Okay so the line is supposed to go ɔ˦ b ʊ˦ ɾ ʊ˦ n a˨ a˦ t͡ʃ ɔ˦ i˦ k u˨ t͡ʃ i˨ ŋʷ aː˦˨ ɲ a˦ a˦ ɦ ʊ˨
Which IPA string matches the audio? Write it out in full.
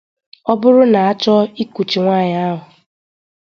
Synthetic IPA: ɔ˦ b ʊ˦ ɾ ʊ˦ n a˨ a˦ t͡ʃ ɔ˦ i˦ k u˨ t͡ʃ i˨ ŋʷ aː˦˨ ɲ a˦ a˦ ɦ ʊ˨